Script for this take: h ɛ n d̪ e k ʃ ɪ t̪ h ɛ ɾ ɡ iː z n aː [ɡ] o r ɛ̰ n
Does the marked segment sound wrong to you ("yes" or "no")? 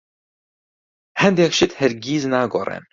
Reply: no